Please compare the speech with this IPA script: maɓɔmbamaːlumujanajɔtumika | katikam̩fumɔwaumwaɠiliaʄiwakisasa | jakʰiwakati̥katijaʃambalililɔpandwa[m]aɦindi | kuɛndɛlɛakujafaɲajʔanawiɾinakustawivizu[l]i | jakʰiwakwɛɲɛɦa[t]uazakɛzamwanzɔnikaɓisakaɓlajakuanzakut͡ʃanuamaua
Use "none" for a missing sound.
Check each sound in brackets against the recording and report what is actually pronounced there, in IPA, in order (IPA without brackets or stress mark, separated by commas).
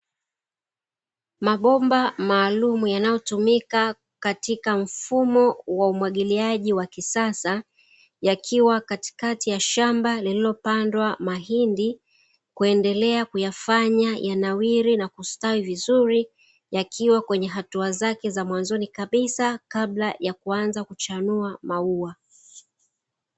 m, ɾ, t